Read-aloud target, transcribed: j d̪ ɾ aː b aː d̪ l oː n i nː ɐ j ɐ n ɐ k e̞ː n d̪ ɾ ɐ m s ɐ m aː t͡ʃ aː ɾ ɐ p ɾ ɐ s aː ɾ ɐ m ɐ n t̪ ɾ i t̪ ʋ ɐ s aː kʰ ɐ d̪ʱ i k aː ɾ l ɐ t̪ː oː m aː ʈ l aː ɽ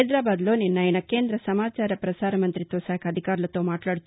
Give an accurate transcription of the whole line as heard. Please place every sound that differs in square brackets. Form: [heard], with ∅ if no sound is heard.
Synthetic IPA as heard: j d̪ ɾ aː b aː d̪ l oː n i nː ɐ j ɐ n ɐ k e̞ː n d̪ ɾ ɐ [∅] s ɐ m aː t͡ʃ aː ɾ ɐ p ɾ ɐ s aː ɾ ɐ m ɐ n t̪ ɾ i t̪ ʋ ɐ s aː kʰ ɐ d̪ʱ i k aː ɾ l ɐ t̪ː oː m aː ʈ l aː ɽ

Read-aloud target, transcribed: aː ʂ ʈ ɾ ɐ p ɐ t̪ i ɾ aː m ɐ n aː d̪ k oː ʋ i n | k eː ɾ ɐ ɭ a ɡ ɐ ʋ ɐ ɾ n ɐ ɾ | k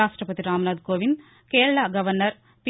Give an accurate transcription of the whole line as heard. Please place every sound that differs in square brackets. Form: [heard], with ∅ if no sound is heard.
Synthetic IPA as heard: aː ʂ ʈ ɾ ɐ p ɐ t̪ i ɾ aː m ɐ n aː d̪ k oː ʋ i n | k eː ɾ ɐ ɭ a ɡ ɐ ʋ ɐ ɾ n ɐ ɾ | [p]

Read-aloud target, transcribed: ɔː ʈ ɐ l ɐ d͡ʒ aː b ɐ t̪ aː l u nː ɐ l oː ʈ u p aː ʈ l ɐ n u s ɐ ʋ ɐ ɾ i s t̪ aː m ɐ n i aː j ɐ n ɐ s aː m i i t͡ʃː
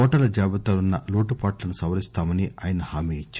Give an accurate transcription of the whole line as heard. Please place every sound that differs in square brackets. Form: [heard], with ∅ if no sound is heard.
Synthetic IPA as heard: ɔː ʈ ɐ l ɐ d͡ʒ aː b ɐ t̪ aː l u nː ɐ l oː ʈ u p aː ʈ l ɐ n u s ɐ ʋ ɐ ɾ i s t̪ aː m ɐ n i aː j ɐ n ɐ [h] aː m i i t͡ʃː

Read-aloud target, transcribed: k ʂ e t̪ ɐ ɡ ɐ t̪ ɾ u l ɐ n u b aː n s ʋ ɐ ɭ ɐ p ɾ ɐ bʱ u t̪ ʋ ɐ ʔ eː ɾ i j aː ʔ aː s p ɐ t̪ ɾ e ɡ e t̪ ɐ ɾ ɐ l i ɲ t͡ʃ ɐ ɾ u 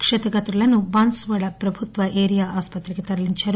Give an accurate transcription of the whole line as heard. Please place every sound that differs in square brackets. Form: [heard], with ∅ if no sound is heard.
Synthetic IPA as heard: k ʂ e t̪ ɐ ɡ ɐ t̪ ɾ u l ɐ n u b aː n s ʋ ɐ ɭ ɐ p ɾ ɐ bʱ u t̪ ʋ ɐ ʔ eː ɾ i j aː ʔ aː s p ɐ t̪ ɾ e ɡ e t̪ ɐ ɾ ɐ l i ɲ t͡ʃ ɐ ɾ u

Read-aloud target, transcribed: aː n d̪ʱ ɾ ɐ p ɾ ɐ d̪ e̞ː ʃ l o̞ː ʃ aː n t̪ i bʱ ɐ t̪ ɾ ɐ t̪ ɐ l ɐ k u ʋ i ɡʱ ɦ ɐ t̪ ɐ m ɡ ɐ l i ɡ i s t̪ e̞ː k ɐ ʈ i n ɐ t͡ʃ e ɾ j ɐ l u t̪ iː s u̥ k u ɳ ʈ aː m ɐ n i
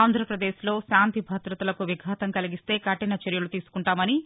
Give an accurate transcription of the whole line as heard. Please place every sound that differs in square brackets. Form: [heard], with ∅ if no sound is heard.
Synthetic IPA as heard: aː n d̪ʱ ɾ ɐ p ɾ ɐ d̪ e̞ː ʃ l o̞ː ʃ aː n t̪ i bʱ ɐ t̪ ɾ ɐ t̪ ɐ l ɐ k u ʋ i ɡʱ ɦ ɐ t̪ ɐ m [k] ɐ l i ɡ i s t̪ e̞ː k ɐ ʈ i n ɐ t͡ʃ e ɾ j ɐ l u t̪ iː s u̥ k u ɳ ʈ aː m ɐ n i

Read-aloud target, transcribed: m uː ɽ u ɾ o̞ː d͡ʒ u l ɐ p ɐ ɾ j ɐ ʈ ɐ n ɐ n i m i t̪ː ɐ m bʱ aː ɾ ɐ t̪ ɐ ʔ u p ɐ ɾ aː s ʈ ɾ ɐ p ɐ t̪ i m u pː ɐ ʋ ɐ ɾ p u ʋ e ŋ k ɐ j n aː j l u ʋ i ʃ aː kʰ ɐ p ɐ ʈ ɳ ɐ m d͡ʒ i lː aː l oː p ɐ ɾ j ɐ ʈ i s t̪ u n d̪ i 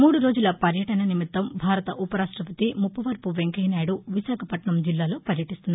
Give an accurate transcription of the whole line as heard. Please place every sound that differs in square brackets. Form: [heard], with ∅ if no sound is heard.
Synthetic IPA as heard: m uː ɽ u ɾ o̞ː d͡ʒ u l ɐ p ɐ ɾ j ɐ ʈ ɐ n ɐ n i m i t̪ː ɐ m bʱ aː ɾ ɐ t̪ ɐ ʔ u p ɐ ɾ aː [ʂ] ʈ ɾ ɐ p ɐ t̪ i m u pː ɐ ʋ ɐ ɾ p u ʋ e ŋ k ɐ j n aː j [ɽ] u ʋ i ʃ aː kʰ ɐ p ɐ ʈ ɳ ɐ m d͡ʒ i lː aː l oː p ɐ ɾ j ɐ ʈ i s t̪ u n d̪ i

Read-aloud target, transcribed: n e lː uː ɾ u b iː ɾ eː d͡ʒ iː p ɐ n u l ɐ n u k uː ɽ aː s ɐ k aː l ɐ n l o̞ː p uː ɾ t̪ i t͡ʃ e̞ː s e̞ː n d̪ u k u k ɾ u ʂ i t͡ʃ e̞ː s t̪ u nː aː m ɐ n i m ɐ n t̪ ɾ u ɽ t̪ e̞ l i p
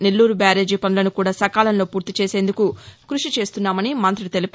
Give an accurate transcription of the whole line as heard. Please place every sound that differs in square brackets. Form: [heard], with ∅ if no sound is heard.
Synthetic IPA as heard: n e lː uː ɾ u b [aː] ɾ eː d͡ʒ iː p ɐ n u l ɐ n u k uː ɽ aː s ɐ k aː l ɐ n l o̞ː p uː ɾ t̪ i t͡ʃ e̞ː s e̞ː n d̪ u k u k ɾ u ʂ i t͡ʃ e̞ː s t̪ u nː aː m ɐ n i m ɐ n t̪ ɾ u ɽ t̪ e̞ l i p

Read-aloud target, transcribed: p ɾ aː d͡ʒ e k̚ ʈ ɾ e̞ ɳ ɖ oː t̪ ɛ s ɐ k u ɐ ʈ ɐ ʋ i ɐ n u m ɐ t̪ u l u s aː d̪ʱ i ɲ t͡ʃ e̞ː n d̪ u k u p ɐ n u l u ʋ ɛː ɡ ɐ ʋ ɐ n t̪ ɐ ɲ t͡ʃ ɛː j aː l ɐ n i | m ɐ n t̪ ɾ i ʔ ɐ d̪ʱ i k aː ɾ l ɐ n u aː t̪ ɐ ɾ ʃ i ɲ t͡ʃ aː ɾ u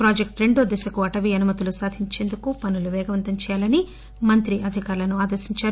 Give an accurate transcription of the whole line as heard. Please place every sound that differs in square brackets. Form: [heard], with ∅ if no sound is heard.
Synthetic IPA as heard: p ɾ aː d͡ʒ e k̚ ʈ ɾ e̞ ɳ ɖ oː [d̪] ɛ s ɐ k u ɐ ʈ ɐ ʋ i ɐ n u m ɐ t̪ u l u s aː d̪ʱ i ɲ t͡ʃ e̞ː n d̪ u k u p ɐ n u l u ʋ ɛː ɡ ɐ ʋ ɐ n t̪ ɐ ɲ t͡ʃ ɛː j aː l ɐ n i | m ɐ n t̪ ɾ i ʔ ɐ d̪ʱ i k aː ɾ l ɐ n u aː [d̪] ɐ ɾ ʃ i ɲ t͡ʃ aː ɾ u

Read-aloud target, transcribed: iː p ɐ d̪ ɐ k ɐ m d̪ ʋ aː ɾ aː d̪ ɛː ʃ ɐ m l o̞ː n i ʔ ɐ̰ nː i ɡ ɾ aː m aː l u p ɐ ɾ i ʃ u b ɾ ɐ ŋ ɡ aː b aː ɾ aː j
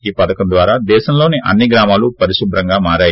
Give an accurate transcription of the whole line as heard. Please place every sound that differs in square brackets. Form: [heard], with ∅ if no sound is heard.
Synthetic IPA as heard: iː p ɐ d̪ ɐ k ɐ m d̪ ʋ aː ɾ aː d̪ ɛː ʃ ɐ m l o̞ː n i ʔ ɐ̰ nː i ɡ ɾ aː m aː l u p ɐ ɾ i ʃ u b ɾ ɐ ŋ ɡ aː [m] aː ɾ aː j

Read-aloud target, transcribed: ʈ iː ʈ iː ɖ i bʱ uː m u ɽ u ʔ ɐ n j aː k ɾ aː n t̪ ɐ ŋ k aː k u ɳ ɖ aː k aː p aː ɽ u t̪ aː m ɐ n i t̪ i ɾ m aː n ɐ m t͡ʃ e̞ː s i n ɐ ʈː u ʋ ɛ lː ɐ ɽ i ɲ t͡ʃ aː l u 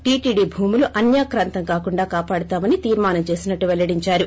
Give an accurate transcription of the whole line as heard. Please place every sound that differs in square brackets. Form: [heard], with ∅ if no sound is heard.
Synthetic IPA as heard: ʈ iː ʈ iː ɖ i bʱ uː m u [l] u ʔ ɐ n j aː k ɾ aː n t̪ ɐ ŋ k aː k u ɳ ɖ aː k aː p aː ɽ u t̪ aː m ɐ n i t̪ [iː] ɾ m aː n ɐ m t͡ʃ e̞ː s i n ɐ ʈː u ʋ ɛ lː ɐ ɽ i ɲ t͡ʃ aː [ɾ] u

